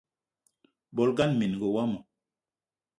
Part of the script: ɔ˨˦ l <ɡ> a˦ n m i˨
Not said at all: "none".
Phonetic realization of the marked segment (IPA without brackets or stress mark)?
ɡ